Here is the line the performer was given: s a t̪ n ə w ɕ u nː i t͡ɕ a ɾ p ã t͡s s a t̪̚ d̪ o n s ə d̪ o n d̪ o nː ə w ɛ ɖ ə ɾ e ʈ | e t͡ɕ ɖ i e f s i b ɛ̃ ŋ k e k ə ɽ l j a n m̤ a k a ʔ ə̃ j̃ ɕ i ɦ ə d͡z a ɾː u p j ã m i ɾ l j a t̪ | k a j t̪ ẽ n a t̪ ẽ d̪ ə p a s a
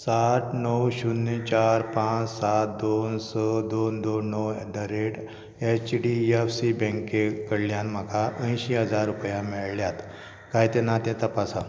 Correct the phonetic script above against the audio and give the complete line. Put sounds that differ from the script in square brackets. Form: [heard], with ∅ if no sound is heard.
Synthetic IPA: s a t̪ n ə w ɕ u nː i t͡ɕ a ɾ p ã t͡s s a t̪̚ d̪ o n s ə d̪ o n d̪ o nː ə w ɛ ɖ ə ɾ e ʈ | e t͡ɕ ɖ i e f s i b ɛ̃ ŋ k e k ə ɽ l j a n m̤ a k a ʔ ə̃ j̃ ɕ i ɦ ə d͡z a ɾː u p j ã m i [ɭ] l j a t̪ | k a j t̪ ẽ n a t̪ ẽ [t̪] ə p a s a

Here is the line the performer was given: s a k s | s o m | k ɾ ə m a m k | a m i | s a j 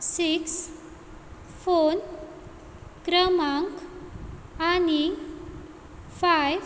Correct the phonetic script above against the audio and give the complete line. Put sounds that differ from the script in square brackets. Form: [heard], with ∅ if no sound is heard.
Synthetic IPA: s [i] k s | [f] o [n] | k ɾ ə m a [ŋ] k | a [n] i | [f] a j

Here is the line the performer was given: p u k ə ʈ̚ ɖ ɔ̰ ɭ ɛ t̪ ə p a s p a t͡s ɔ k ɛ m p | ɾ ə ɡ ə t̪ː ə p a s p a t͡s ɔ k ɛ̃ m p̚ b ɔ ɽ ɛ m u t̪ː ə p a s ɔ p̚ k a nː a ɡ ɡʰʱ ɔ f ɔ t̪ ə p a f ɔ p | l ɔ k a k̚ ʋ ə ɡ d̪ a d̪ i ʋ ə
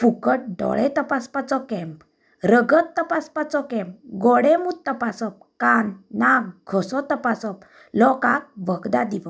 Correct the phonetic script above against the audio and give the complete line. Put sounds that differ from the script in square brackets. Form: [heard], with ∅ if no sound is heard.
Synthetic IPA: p u k ə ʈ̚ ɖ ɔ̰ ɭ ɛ t̪ ə p a s p a t͡s ɔ k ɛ m p | ɾ ə ɡ ə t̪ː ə p a s p a t͡s ɔ k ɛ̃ m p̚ [ɡ] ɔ ɽ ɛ m u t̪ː ə p a s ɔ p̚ k a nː a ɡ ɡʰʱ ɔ [s] ɔ t̪ ə p a [s] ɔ p | l ɔ k a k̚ ʋ ə ɡ d̪ a d̪ i ʋ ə

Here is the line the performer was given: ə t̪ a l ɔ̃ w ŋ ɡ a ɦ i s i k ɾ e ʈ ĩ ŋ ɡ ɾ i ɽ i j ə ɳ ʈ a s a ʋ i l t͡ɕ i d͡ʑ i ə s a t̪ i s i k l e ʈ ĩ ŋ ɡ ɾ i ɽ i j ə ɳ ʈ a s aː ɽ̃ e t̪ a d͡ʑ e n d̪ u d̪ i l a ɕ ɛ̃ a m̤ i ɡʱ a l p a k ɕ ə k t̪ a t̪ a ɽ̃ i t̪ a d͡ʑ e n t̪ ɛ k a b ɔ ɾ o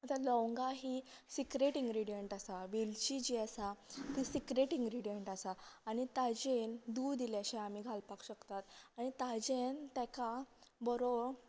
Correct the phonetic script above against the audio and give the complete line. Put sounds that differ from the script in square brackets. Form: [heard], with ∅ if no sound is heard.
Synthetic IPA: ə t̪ a l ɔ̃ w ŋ ɡ a ɦ i s i k ɾ e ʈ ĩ ŋ ɡ ɾ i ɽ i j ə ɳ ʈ a s a ʋ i l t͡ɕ i d͡ʑ i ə s a t̪ i s i k [ɾ] e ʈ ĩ ŋ ɡ ɾ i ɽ i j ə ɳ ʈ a s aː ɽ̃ [i] t̪ a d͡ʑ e n d̪ u d̪ i l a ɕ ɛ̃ a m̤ i ɡʱ a l p a k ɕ ə k t̪ a t̪ a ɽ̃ i t̪ a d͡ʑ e n t̪ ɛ k a b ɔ ɾ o

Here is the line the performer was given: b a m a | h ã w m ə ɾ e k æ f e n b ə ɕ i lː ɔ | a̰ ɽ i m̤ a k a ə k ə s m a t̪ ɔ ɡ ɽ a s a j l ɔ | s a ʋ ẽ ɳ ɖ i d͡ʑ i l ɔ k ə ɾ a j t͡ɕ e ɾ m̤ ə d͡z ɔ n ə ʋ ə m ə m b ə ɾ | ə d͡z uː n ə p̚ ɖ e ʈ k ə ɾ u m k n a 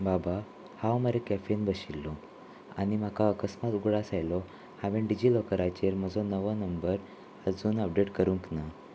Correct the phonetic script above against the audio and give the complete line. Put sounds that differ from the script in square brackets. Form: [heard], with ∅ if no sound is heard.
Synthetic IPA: b a [b] a | h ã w m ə ɾ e k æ f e n b ə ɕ i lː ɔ | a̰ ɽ i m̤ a k a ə k ə s m a t̪ [u] ɡ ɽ a s a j l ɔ | [h] a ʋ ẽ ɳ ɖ i d͡ʑ i l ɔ k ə ɾ a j t͡ɕ e ɾ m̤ ə d͡z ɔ n ə ʋ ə [n] ə m b ə ɾ | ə d͡z uː n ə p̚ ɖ e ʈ k ə ɾ u [ŋ] k n a

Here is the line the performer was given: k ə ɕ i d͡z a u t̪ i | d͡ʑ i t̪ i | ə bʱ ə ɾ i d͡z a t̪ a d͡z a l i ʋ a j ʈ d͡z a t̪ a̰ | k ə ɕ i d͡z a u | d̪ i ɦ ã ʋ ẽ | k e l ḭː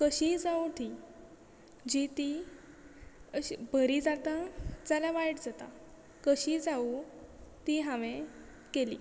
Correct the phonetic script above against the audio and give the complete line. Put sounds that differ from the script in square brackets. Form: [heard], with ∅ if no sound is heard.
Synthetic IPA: k ə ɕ i d͡z a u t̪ i | d͡ʑ i t̪ i | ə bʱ ə ɾ i d͡z a t̪ a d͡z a l [a] ʋ a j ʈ d͡z a t̪ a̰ | k ə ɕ i d͡z a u | [t̪] i ɦ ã ʋ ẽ | k e l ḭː

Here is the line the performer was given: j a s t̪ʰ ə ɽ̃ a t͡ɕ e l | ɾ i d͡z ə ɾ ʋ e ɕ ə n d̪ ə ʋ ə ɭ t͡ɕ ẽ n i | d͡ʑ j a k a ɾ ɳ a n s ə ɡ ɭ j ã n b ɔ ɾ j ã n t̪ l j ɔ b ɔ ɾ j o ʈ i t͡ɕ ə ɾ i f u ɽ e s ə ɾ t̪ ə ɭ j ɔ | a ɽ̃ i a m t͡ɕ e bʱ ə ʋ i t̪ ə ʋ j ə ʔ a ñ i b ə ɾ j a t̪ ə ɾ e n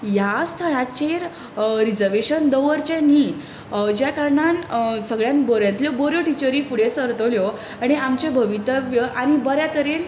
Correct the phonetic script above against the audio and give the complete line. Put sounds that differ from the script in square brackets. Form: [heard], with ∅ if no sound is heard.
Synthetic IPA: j a s t̪ʰ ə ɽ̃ a t͡ɕ e [ɾ] | ɾ i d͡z ə ɾ ʋ e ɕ ə n d̪ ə ʋ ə [ɾ] t͡ɕ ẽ n i | d͡ʑ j a k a ɾ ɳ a n s ə ɡ ɭ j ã n b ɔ ɾ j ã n t̪ l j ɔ b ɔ ɾ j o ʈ i t͡ɕ ə ɾ i f u ɽ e s ə ɾ t̪ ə [l] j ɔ | a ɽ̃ i a m t͡ɕ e bʱ ə ʋ i t̪ ə ʋ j ə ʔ a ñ i b ə ɾ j a t̪ ə ɾ e n

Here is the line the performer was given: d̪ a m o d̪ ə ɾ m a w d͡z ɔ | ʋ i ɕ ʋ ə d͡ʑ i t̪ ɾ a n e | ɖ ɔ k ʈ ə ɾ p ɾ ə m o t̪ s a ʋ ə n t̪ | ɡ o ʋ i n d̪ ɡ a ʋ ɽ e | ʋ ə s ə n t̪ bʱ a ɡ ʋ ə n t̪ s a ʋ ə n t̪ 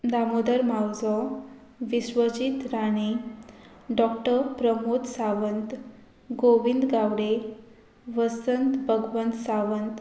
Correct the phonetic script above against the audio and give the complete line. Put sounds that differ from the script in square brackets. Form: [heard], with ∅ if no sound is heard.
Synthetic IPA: d̪ a m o d̪ ə ɾ m a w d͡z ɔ | ʋ i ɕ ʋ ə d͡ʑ i t̪ ɾ a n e | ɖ ɔ k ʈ ə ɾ p ɾ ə m o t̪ s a ʋ ə n t̪ | ɡ o ʋ i n d̪ ɡ a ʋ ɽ e | ʋ ə s ə n t̪ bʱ [ə] ɡ ʋ ə n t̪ s a ʋ ə n t̪

